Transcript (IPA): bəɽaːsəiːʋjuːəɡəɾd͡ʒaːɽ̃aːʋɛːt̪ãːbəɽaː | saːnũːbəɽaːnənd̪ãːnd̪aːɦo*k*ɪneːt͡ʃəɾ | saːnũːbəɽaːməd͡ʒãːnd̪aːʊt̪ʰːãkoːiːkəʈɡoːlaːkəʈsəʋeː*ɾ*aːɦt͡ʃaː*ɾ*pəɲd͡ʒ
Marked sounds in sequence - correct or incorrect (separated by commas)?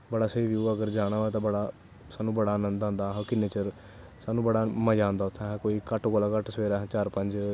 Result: correct, correct, correct